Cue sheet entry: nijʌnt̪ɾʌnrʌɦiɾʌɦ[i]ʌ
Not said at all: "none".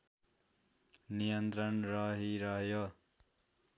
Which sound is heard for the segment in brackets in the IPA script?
j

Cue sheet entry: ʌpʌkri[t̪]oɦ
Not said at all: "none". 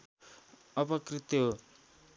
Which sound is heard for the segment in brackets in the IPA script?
t̪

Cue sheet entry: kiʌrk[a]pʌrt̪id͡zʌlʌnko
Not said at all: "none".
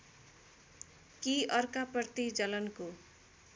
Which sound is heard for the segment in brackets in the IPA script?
a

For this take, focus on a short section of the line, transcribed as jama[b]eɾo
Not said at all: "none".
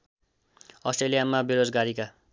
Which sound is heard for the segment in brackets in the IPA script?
b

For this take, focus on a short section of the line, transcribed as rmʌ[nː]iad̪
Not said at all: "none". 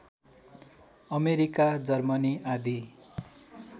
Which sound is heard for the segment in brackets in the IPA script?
n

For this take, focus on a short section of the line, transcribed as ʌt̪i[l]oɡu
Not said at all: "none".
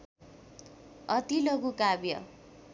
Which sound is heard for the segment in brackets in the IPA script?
l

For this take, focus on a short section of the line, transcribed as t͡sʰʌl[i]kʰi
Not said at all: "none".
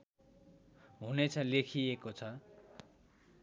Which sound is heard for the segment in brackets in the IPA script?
e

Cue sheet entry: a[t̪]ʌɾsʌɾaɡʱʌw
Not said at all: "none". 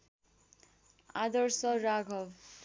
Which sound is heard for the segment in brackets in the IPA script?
d̪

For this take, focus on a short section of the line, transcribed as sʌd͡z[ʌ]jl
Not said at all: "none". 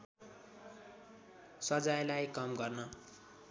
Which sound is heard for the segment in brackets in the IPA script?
a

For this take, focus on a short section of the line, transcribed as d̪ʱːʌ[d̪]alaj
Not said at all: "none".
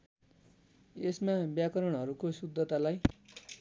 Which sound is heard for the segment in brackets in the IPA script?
t̪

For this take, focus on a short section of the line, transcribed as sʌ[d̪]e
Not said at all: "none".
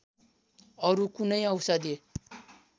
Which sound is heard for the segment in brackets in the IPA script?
d̪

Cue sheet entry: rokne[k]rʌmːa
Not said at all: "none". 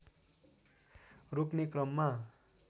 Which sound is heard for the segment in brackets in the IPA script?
k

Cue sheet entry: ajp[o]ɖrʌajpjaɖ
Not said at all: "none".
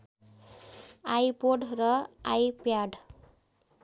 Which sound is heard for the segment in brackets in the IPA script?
o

